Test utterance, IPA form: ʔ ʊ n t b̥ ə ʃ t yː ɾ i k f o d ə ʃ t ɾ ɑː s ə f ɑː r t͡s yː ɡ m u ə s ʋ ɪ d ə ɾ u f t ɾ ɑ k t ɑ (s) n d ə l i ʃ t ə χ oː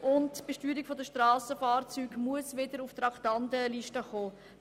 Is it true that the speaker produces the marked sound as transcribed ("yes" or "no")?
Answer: no